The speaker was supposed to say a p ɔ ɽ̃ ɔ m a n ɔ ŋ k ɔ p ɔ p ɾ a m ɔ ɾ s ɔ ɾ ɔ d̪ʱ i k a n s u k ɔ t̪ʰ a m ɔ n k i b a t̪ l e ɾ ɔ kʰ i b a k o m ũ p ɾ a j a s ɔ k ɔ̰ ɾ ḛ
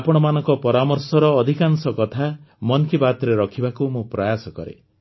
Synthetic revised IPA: a p ɔ ɽ̃ ɔ m a n ɔ ŋ k ɔ p ɔ ɾ a m ɔ ɾ s ɔ ɾ ɔː d̪ʱ i k a n s ɔ k ɔ t̪ʰ a m ɔ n k i b a t̪ ɾ e ɾ ɔ kʰ i b a k u m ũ p ɾ a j a s ɔ k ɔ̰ ɾ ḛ